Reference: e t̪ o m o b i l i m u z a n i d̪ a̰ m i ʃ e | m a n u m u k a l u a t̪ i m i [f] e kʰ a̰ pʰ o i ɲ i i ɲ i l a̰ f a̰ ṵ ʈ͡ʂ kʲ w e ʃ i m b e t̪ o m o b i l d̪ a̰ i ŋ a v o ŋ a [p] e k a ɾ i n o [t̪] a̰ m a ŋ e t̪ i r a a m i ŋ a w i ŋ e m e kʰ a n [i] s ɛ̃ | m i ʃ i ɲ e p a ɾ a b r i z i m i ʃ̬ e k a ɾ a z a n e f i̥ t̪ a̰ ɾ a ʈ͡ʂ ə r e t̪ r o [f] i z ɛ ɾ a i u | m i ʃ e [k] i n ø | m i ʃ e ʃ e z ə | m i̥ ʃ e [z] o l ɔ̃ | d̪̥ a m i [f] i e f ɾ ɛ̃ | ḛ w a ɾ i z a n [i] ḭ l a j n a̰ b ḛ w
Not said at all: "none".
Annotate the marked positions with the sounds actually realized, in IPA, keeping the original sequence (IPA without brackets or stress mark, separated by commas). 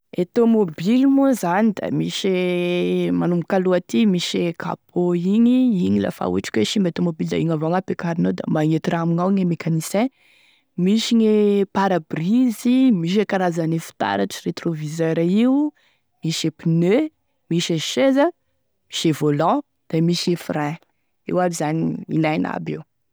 ʃ, p, d̪, i, v, p, v, ʃ, i